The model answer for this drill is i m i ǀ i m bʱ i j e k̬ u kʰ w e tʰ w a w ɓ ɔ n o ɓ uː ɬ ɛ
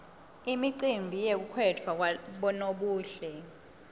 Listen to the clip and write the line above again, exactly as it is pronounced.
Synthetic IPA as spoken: i m i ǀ i m bʱ i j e k̬ u kʰ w ɛ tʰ w a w ɓ ɔ n o ɓ uː ɬ ɛ